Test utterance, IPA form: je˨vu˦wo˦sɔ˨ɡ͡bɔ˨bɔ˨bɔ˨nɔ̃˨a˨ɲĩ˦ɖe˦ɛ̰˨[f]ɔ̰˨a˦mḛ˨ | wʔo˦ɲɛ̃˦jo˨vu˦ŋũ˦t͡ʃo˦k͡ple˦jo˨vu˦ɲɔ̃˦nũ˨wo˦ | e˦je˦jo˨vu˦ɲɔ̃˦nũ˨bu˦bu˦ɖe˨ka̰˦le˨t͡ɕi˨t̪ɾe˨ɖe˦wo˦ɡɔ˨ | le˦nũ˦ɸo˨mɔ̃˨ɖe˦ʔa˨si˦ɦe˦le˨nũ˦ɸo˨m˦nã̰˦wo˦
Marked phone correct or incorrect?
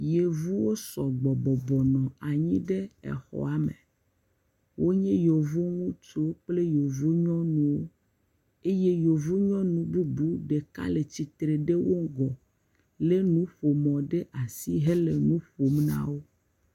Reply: incorrect